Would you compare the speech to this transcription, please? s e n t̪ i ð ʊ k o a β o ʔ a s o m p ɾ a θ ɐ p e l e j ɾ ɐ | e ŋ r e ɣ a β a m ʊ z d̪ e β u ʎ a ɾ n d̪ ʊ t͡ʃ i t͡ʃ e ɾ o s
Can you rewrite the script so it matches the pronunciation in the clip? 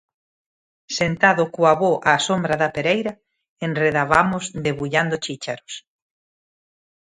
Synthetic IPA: s e n t̪ a ð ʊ k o a β o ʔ a s o m b ɾ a ð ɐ p e ɾ e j ɾ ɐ | e n r e ð a β a m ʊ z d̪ e β u ʎ a n d̪ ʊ t͡ʃ i t͡ʃ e ɾ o s